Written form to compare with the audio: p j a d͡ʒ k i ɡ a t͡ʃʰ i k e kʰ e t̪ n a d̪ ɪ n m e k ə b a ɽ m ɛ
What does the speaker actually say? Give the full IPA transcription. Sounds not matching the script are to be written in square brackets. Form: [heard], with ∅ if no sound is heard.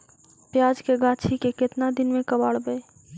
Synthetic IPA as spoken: p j a d͡ʒ k [e] ɡ a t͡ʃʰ i k e [k] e t̪ n a d̪ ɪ n m e k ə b a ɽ [b] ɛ